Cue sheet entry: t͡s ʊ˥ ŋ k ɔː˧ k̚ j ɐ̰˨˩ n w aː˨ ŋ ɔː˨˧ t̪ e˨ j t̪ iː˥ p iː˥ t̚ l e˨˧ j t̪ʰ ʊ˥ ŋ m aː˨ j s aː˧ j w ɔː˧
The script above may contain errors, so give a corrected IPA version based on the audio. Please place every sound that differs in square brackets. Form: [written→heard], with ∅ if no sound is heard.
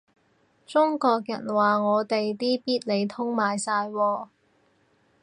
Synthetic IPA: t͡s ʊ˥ ŋ k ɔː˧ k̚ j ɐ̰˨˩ n w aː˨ ŋ ɔː˨˧ t̪ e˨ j t̪ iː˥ p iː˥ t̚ l e˨˧ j t̪ʰ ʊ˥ ŋ m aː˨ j s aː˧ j w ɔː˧